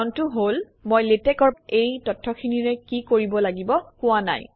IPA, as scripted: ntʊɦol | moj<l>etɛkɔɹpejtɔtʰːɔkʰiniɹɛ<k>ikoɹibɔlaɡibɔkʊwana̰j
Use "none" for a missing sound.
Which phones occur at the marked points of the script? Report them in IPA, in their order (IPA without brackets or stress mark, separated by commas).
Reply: l, k